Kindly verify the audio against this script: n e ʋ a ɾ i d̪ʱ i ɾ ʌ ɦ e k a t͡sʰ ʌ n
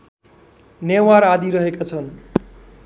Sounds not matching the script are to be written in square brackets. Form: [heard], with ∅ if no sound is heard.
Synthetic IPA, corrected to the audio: n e [w] a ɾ [a] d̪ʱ i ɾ ʌ ɦ e k a t͡sʰ ʌ n